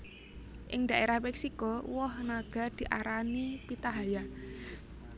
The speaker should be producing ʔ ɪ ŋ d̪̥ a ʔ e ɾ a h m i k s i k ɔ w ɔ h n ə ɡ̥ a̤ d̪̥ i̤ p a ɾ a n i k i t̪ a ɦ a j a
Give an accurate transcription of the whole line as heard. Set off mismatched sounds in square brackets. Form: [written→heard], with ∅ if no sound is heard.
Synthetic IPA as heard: ʔ ɪ ŋ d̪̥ a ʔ e ɾ a h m [i→ɛ] k s i k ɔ w ɔ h n [ə→a] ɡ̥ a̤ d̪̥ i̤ [p→ʔ] a ɾ a n i [k→p] i t̪ a ɦ a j a

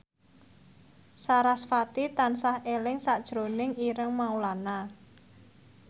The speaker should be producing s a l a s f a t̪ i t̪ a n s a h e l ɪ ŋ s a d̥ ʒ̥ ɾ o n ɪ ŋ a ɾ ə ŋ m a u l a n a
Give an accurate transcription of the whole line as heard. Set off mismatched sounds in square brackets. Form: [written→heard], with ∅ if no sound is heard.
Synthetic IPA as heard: s a [l→ɾ] a s f a t̪ i t̪ a n s a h e l ɪ ŋ s a d̥ ʒ̥ ɾ o n ɪ ŋ [a→i] ɾ ə ŋ m a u l a n a

